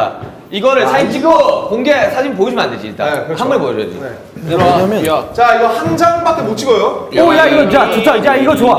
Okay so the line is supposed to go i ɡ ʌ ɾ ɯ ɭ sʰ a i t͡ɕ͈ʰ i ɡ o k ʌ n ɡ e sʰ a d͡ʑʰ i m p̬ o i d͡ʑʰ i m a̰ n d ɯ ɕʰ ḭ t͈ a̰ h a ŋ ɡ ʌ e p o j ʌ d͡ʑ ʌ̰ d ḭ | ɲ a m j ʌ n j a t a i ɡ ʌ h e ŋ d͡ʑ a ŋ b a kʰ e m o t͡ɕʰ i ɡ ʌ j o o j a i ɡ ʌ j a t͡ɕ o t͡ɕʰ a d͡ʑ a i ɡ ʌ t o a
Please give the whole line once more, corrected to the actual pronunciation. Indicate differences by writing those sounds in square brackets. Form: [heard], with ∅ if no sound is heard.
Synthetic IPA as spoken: i ɡ ʌ ɾ ɯ ɭ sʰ a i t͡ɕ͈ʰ i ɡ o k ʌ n ɡ e sʰ a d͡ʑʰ i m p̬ o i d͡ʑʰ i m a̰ n d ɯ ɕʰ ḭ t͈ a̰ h a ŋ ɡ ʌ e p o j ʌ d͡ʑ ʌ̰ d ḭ | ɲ a m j ʌ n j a [t͡ɕ] a i ɡ ʌ h [a] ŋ d͡ʑ a ŋ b a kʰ e m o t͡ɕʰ i ɡ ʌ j o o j a i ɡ ʌ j a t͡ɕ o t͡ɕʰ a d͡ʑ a i ɡ ʌ [t͡ɕ] o a